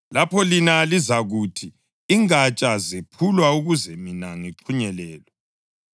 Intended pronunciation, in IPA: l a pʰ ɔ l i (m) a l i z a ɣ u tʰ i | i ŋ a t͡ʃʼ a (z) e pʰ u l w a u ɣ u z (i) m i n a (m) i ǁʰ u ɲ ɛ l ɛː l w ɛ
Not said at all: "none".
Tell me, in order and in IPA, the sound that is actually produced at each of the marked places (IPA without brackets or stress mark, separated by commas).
n, z, ɛ, ŋ